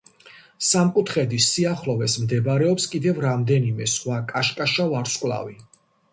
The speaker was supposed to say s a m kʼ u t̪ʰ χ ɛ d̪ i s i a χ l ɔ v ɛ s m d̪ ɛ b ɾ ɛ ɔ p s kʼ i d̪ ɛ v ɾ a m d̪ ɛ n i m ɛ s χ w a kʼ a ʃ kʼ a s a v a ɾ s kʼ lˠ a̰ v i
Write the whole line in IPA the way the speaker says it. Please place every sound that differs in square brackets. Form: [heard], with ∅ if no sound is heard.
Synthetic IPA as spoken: s a m kʼ u t̪ʰ χ ɛ d̪ i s i a χ l ɔ v ɛ s m d̪ ɛ b ɾ ɛ ɔ p s kʼ i d̪ ɛ v ɾ a m d̪ ɛ n i m ɛ s χ w a kʼ a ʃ kʼ a [ʃ] a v a ɾ s kʼ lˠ a̰ v i